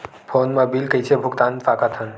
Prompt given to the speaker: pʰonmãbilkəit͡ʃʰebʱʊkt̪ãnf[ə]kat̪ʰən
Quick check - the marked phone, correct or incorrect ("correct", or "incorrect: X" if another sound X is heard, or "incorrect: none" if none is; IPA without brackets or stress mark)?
incorrect: a